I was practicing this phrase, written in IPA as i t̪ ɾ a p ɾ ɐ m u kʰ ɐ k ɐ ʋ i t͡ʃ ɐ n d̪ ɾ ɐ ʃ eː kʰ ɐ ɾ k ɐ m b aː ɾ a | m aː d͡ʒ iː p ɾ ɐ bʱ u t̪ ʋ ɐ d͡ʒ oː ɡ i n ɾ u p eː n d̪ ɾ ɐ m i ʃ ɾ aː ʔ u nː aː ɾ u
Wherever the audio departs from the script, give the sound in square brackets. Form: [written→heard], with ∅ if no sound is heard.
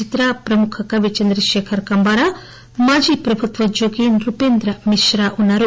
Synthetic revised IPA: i t̪ ɾ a p ɾ ɐ m u kʰ ɐ k ɐ ʋ i t͡ʃ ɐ n d̪ ɾ ɐ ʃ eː kʰ ɐ ɾ k ɐ m b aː ɾ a | m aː d͡ʒ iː p ɾ ɐ bʱ u t̪ ʋ ɐ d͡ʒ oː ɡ i n ɾ u p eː n d̪ ɾ ɐ m i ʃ ɾ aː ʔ u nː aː ɾ u